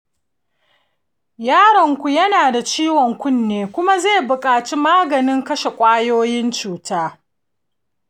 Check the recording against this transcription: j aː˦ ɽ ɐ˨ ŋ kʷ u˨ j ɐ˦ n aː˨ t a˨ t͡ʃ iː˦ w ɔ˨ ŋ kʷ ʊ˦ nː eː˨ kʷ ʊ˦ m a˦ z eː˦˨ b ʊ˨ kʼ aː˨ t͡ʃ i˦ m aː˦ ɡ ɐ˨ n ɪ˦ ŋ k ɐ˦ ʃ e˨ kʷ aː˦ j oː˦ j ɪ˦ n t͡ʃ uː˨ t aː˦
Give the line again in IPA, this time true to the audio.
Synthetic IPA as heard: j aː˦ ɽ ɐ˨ ŋ kʷ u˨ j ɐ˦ n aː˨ d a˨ t͡ʃ iː˦ w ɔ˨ ŋ kʷ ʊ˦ nː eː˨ kʷ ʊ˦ m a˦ z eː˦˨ b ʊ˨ kʼ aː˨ t͡ʃ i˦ m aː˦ ɡ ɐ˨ n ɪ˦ ŋ k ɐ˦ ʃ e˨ kʷʼ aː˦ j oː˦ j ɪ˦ n t͡ʃ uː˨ t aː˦